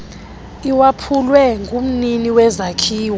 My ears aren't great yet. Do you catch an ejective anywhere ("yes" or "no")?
no